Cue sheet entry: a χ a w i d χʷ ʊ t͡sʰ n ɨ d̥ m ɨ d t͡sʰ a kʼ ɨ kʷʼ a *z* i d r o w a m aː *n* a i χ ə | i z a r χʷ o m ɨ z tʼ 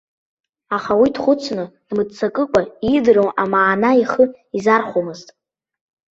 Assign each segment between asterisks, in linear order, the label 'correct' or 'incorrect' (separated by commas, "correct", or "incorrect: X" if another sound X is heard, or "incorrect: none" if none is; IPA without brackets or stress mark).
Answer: incorrect: none, correct